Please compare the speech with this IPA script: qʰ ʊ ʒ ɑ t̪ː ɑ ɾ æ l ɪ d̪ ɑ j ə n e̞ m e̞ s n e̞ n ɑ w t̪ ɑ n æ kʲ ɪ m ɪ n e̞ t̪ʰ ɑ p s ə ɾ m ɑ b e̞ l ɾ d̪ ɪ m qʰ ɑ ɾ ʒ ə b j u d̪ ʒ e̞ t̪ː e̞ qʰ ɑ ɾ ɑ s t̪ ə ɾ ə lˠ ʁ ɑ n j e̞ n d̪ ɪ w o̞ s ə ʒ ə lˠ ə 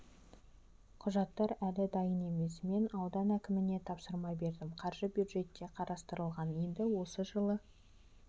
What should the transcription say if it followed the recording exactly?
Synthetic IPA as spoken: qʰ ʊ ʒ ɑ t̪ː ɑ ɾ æ l ɪ d̪ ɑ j ə n e̞ m e̞ s m e̞ n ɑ w d̪ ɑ n æ kʲ ɪ m ɪ n e̞ t̪ʰ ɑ p s ə ɾ m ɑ b e̞ ɾ d̪ ɪ m qʰ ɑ ɾ ʒ ə b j u d̪ ʒ e̞ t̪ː e̞ qʰ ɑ ɾ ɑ s t̪ ə ɾ ə lˠ ʁ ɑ n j e̞ n d̪ ɪ w o̞ s ə ʒ ə lˠ ə